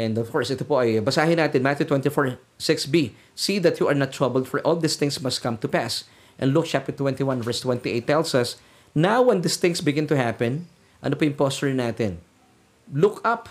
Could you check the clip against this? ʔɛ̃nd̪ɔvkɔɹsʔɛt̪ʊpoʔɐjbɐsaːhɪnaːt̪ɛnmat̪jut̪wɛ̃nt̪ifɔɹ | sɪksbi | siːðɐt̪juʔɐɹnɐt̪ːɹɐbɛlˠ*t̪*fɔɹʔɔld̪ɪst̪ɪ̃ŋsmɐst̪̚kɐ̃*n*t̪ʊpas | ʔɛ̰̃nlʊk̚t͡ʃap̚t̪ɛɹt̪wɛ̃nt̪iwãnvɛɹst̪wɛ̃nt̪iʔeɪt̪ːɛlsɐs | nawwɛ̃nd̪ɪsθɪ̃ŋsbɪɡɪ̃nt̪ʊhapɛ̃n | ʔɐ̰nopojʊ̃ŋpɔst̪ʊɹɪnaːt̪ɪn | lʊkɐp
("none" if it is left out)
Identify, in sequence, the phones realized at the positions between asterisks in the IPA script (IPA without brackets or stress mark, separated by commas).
d̪, m